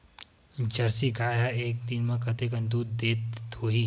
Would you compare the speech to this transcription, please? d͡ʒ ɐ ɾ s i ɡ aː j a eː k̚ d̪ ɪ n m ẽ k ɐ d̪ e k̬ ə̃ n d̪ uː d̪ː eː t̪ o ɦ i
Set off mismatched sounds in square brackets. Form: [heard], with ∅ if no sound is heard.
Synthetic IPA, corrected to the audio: d͡ʒ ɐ ɾ s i ɡ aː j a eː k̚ d̪ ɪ n m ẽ k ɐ [t̪] e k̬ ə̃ n d̪ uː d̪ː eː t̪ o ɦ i